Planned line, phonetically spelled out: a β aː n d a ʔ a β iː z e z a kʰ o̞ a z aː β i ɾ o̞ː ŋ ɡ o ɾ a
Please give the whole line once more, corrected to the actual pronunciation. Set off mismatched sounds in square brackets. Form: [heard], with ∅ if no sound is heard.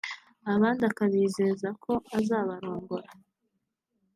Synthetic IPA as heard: a β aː n d a [k] a β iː z e z a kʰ o̞ a z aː β [a] ɾ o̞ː ŋ ɡ o ɾ a